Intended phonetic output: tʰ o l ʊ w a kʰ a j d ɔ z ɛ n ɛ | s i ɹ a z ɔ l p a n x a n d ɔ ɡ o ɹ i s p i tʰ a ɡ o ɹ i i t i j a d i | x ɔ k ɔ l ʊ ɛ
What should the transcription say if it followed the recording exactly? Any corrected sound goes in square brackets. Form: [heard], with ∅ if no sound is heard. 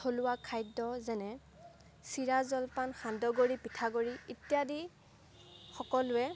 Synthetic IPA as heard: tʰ o l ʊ w a kʰ a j d ɔ z ɛ n ɛ | s i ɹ a z ɔ l p a n x a n d ɔ ɡ o ɹ i [∅] p i tʰ a ɡ o ɹ i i t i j a d i | x ɔ k ɔ l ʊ ɛ